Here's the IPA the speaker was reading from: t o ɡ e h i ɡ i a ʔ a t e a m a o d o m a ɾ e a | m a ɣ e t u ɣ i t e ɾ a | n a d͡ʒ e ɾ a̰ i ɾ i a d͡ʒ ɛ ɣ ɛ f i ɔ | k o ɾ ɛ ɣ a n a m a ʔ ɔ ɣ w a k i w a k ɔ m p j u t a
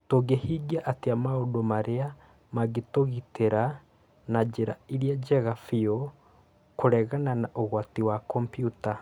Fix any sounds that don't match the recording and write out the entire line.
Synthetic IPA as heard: t o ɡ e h i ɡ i a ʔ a t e a m a o d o m a ɾ e a | m a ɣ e t o ɣ i t e ɾ a | n a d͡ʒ e ɾ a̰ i ɾ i a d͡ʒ ɛ ɣ a f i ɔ | k o ɾ ɛ ɣ a n a n a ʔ o ɣ w a t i w a k ɔ m p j u t a